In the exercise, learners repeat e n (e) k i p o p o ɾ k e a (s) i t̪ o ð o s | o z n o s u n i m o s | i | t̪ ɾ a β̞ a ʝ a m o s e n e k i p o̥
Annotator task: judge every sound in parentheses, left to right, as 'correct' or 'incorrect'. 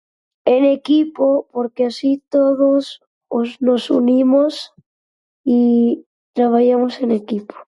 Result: correct, correct

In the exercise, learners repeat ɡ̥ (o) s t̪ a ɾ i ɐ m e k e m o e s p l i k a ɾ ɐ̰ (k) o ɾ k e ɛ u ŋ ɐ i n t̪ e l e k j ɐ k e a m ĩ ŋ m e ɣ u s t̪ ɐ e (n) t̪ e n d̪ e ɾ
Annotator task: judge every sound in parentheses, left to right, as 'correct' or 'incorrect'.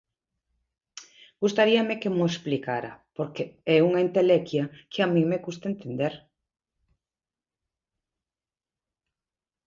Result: incorrect, incorrect, correct

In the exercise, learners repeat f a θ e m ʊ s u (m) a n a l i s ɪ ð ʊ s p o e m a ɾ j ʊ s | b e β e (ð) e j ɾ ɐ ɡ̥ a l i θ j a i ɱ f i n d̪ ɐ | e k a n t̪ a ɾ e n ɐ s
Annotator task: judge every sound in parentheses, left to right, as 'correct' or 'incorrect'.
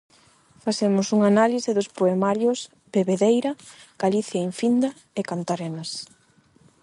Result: incorrect, correct

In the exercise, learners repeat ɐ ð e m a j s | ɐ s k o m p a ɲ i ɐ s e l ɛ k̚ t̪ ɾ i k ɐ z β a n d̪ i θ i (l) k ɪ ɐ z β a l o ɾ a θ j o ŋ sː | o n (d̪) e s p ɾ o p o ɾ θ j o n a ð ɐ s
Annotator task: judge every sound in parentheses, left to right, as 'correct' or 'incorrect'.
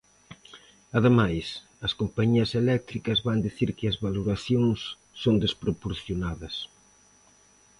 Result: incorrect, correct

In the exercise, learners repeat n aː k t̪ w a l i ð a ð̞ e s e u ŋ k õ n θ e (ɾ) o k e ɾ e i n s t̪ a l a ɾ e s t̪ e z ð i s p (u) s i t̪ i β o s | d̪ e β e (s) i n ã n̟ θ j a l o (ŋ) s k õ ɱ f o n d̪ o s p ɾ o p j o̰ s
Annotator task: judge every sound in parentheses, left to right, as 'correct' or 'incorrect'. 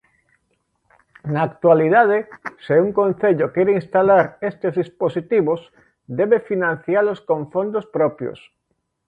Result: incorrect, incorrect, incorrect, incorrect

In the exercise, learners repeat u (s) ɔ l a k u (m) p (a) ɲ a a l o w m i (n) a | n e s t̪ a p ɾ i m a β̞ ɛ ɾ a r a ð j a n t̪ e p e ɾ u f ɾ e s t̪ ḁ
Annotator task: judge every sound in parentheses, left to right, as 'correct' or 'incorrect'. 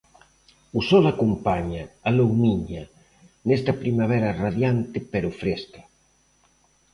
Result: correct, correct, correct, incorrect

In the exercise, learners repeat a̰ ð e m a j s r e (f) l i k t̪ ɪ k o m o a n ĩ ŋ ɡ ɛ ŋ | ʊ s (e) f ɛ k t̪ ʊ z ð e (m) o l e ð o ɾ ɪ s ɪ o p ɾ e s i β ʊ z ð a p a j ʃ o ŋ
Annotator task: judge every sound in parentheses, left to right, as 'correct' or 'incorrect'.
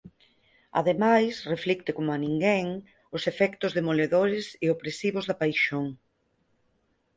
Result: correct, correct, correct

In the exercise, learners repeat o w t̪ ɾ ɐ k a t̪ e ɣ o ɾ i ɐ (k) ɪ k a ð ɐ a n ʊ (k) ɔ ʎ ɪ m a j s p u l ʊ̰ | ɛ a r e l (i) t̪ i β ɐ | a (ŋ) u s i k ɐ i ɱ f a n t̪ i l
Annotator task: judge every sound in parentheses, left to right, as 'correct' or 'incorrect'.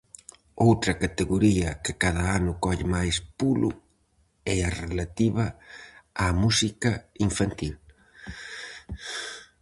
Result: correct, correct, incorrect, incorrect

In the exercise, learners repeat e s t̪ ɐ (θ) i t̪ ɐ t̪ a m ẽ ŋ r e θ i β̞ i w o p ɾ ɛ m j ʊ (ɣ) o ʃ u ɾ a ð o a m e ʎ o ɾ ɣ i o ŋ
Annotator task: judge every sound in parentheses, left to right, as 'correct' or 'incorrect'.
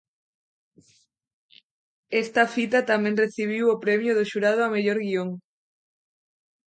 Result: incorrect, incorrect

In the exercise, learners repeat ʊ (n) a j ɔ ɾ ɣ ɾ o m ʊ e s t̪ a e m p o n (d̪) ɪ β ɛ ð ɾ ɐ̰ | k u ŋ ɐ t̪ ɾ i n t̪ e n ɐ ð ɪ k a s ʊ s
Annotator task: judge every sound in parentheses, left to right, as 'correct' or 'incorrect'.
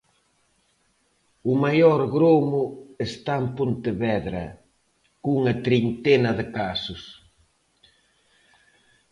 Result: incorrect, incorrect

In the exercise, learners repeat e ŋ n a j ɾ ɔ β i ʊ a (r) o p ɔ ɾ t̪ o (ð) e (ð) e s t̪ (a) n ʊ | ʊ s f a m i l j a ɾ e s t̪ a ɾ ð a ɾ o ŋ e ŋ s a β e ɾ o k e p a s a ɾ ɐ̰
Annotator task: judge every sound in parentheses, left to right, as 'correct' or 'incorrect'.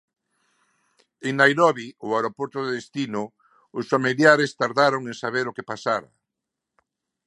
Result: incorrect, correct, correct, incorrect

